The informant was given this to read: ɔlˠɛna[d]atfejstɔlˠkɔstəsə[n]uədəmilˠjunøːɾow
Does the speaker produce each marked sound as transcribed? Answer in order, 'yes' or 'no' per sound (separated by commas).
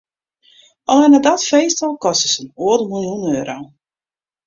yes, yes